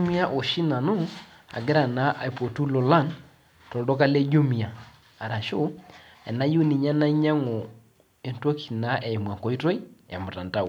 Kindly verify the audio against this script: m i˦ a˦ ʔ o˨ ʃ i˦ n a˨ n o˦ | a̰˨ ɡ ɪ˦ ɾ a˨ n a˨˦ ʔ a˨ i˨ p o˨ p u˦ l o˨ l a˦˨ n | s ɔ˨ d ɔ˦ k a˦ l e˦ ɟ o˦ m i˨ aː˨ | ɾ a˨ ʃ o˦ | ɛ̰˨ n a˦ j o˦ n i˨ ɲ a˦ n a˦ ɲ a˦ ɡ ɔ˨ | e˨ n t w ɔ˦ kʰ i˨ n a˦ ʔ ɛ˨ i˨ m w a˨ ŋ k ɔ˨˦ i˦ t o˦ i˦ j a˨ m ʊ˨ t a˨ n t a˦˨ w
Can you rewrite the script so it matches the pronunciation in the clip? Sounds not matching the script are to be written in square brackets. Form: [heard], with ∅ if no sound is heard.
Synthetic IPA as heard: m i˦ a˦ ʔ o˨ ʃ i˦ n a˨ n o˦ | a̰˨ ɡ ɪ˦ ɾ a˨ n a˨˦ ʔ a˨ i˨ p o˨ [t] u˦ l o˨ l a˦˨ n | [t] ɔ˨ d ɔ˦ k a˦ l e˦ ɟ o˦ m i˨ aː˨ | ɾ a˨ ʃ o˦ | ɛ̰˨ n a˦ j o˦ n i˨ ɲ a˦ n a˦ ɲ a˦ [ŋ] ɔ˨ | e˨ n t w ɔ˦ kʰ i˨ n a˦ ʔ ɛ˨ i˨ m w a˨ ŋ k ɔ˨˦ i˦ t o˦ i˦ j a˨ m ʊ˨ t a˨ n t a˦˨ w